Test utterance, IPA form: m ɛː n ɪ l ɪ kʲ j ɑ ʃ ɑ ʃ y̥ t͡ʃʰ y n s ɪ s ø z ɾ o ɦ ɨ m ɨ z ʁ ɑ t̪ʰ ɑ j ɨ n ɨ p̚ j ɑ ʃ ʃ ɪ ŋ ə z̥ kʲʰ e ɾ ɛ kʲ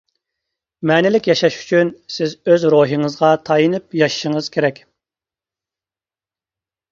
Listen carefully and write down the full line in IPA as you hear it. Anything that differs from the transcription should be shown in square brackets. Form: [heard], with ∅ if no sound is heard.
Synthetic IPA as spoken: m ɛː n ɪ l ɪ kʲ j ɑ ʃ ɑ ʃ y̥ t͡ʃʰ y n s ɪ [z] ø z ɾ o ɦ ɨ [ŋ] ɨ z ʁ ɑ t̪ʰ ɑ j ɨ n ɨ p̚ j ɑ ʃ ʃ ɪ ŋ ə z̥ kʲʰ e ɾ ɛ kʲ